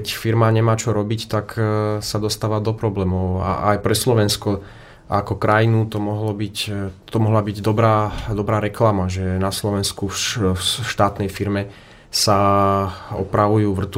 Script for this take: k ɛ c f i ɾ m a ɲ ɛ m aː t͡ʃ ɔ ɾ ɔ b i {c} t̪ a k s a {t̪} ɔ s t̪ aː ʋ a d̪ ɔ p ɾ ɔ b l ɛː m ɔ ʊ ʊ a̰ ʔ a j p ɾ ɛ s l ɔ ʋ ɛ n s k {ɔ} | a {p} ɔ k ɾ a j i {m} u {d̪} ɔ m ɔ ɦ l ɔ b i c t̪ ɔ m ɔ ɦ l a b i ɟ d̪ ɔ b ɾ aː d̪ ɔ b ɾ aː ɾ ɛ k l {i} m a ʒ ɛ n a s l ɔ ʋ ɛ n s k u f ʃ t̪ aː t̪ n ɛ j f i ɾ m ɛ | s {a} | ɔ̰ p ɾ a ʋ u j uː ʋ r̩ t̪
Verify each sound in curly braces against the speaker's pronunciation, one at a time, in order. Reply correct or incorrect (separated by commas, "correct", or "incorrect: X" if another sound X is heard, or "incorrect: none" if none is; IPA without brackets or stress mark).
correct, incorrect: d̪, correct, incorrect: k, incorrect: n, incorrect: t̪, incorrect: a, correct